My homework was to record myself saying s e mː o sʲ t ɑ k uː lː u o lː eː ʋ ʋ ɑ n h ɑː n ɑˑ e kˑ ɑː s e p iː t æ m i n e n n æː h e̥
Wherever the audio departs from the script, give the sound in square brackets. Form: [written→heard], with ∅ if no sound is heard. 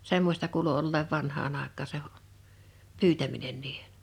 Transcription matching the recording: s e mː o sʲ t ɑ k uː [lː→l] u o lː eː ʋ ʋ ɑ n h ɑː n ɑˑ e kˑ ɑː s e p [iː→yː] t æ m i n e n n [æː→iː] h e̥